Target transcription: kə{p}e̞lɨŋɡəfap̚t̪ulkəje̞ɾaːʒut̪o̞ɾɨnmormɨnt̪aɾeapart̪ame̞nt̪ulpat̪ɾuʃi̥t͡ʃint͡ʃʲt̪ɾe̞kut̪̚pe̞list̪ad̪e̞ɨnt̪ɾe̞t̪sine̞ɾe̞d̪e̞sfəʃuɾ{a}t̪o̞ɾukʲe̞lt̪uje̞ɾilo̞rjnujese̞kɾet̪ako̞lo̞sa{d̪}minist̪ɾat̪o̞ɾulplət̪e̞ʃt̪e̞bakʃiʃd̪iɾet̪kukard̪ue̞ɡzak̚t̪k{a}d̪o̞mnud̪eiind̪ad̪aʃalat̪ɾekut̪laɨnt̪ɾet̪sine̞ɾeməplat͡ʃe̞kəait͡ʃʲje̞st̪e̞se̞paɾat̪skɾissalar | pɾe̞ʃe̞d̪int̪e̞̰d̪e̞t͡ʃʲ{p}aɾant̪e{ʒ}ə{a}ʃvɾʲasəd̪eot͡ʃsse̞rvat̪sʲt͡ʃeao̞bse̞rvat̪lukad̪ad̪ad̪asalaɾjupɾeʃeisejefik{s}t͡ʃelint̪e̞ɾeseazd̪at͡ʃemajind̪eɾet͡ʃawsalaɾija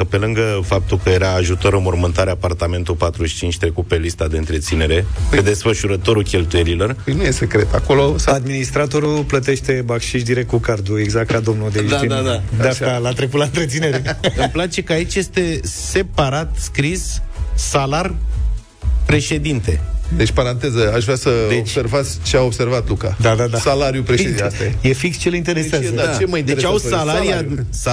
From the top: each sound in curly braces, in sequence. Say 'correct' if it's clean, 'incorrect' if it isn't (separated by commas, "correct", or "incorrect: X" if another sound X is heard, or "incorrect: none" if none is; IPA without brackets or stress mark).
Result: correct, incorrect: ə, correct, correct, correct, incorrect: z, correct, correct